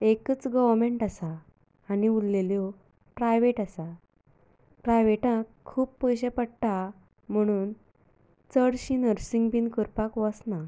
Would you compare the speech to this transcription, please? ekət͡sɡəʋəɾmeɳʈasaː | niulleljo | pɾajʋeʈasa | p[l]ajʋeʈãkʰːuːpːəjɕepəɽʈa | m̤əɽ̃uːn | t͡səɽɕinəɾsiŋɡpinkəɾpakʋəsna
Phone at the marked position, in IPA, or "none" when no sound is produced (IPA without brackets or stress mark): ɾ